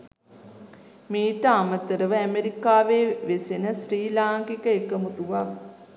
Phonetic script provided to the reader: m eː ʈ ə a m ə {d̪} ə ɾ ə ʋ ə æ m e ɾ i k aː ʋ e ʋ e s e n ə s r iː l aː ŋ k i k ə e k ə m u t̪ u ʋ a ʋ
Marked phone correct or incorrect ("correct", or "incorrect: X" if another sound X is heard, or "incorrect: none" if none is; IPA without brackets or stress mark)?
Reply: incorrect: t̪